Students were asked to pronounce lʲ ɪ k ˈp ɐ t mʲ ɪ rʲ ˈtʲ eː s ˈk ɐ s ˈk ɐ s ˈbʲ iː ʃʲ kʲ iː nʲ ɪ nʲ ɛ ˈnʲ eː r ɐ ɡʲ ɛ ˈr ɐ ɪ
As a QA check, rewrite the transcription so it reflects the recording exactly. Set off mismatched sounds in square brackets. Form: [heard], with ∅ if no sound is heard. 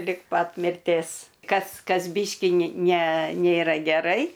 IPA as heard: lʲ ɪ k ˈp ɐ t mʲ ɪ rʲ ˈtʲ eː s ˈk ɐ s ˈk ɐ s ˈbʲ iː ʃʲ kʲ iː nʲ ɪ nʲ ɛ ˈnʲ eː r ɐ ɡʲ ɛ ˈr ɐ ɪ